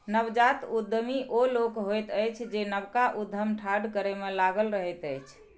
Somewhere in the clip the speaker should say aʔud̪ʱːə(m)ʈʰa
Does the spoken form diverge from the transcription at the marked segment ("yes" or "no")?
no